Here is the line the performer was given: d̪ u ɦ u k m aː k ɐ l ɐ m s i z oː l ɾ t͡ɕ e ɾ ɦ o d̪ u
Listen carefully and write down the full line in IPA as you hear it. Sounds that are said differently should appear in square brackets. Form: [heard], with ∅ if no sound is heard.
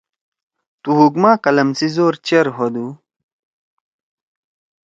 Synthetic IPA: [t̪] u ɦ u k m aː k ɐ l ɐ m s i z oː [∅] ɾ t͡ɕ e ɾ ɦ o d̪ u